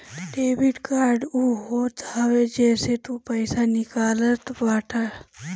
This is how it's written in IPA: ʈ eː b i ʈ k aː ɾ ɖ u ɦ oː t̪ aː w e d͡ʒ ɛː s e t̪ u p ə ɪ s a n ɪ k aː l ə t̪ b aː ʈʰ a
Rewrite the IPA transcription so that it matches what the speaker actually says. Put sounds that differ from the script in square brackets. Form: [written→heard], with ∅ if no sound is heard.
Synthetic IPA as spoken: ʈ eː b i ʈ k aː ɾ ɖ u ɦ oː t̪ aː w e d͡ʒ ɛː s e t̪ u p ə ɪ s a n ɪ k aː l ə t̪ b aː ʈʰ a